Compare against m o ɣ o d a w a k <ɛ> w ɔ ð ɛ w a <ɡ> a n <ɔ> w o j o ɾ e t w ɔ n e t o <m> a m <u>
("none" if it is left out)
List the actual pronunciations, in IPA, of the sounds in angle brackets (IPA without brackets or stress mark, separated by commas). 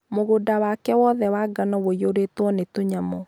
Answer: ɛ, ɡ, ɔ, ɲ, ɔ